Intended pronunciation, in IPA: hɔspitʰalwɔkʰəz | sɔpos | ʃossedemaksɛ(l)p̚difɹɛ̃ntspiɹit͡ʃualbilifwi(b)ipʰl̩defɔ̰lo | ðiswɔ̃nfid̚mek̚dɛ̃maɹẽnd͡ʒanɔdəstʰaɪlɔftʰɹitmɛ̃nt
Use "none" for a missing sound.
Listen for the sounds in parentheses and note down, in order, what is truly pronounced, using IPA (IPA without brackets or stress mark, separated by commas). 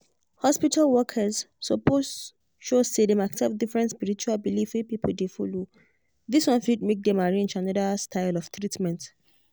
none, p